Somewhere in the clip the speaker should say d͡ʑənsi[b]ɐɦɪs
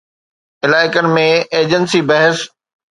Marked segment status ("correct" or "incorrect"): correct